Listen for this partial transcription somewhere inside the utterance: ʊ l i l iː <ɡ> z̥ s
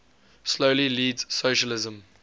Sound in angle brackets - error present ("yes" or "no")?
yes